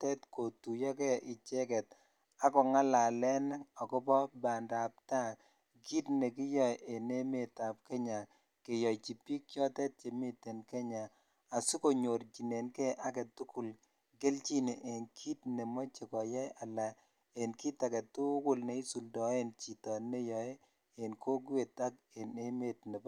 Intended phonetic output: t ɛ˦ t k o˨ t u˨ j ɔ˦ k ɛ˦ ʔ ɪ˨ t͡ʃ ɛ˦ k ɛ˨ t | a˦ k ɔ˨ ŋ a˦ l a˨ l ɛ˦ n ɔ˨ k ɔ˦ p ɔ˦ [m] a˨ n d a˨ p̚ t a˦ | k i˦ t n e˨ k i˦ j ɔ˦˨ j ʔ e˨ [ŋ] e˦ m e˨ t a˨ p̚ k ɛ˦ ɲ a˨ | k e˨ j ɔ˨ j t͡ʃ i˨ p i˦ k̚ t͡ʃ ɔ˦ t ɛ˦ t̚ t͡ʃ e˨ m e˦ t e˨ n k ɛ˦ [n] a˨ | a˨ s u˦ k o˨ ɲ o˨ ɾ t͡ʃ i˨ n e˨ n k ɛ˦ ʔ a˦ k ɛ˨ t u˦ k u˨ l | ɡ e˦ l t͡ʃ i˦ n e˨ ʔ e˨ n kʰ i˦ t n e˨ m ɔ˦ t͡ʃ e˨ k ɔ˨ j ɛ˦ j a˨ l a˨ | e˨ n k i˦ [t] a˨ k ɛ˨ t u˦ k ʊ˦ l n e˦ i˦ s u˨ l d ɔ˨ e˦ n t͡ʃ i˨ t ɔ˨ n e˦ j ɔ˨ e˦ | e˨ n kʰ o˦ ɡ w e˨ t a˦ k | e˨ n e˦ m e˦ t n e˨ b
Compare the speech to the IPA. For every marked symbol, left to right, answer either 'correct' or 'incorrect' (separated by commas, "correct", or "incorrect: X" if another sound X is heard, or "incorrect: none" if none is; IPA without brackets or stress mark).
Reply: incorrect: b, incorrect: n, incorrect: ɲ, correct